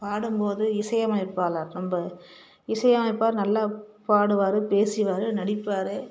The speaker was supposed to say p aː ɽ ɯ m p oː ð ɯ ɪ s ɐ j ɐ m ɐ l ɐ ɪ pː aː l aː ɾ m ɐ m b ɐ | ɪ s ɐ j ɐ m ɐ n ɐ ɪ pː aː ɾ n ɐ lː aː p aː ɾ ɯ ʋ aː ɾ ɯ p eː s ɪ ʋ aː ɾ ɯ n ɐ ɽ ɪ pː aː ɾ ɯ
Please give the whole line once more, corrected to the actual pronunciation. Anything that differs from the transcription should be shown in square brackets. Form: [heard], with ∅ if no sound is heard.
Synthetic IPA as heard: p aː ɽ ɯ m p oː ð ɯ ɪ s ɐ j ɐ m ɐ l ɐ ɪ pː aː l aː ɾ [n] ɐ m b ɐ | ɪ s ɐ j ɐ m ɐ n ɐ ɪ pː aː ɾ n ɐ lː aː p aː [ɽ] ɯ ʋ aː ɾ ɯ p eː s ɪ ʋ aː ɾ ɯ n ɐ ɽ ɪ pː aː ɾ ɯ